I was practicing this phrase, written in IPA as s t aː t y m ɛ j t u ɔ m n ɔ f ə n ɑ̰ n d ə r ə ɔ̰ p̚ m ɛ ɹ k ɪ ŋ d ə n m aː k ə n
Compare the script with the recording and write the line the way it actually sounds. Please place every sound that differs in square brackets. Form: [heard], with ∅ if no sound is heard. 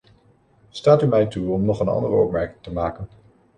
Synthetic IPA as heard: s t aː t y m ɛ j t u ɔ m n ɔ [χ] ə n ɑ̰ n d ə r ə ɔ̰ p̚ m ɛ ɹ k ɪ ŋ [t] ə [∅] m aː k ə n